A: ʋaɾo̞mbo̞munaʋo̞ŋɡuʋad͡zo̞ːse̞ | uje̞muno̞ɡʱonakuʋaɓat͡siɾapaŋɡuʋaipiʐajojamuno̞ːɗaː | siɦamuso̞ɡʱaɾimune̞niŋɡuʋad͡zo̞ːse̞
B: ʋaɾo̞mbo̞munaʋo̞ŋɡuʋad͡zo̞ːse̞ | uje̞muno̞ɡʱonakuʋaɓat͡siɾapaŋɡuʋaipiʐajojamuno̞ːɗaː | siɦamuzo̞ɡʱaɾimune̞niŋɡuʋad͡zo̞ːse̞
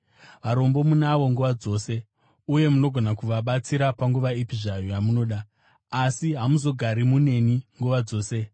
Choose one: B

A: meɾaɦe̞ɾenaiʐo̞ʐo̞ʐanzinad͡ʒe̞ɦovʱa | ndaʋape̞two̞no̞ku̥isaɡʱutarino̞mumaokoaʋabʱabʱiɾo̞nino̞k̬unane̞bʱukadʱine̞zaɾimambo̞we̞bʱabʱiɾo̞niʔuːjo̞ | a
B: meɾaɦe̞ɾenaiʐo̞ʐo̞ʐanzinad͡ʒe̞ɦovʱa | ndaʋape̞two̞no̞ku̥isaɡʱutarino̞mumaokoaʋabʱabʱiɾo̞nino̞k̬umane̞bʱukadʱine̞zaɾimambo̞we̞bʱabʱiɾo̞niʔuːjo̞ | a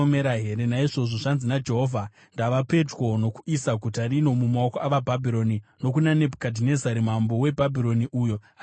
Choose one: A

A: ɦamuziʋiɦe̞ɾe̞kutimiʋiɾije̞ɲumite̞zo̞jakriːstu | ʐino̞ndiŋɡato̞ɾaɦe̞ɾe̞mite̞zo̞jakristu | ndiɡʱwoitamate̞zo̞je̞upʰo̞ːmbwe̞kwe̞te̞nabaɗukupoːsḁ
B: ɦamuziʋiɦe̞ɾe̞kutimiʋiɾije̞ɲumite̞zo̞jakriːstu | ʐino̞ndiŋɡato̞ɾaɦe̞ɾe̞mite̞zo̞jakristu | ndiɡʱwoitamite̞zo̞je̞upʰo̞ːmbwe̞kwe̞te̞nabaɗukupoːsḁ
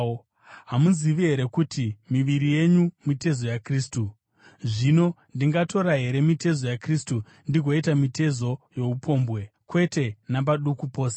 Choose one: B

